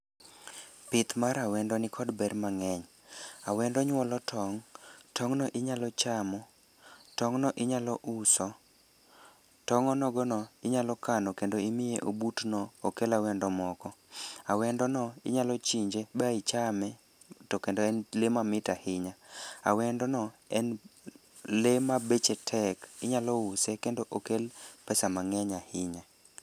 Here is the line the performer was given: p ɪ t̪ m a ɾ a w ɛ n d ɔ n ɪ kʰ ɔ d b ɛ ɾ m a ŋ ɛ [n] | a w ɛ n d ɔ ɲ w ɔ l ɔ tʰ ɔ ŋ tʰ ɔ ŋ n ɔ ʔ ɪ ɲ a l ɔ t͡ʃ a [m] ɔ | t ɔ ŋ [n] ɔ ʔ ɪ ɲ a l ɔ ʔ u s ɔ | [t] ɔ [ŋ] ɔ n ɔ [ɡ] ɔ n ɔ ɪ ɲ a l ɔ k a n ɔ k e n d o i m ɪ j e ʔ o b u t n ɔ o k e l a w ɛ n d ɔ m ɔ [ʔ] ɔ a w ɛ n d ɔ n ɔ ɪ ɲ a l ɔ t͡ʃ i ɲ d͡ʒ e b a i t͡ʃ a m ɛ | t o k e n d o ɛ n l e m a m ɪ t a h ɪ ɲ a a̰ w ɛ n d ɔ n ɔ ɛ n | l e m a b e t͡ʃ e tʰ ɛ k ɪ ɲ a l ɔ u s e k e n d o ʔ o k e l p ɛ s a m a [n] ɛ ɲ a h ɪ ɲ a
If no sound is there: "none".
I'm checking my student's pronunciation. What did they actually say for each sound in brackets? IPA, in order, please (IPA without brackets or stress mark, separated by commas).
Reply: ɲ, m, n, t, ŋ, ɡ, k, ŋ